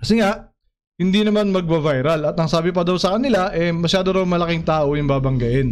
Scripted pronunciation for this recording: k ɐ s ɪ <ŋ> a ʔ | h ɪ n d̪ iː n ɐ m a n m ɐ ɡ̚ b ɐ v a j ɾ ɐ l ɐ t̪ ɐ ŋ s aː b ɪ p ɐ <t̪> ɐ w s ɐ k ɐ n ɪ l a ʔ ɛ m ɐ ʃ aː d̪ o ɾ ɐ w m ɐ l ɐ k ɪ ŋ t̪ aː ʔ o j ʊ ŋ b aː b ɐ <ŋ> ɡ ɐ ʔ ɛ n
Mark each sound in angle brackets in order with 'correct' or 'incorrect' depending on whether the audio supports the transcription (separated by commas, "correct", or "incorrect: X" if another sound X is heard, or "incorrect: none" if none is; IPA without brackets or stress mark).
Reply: correct, incorrect: d̪, correct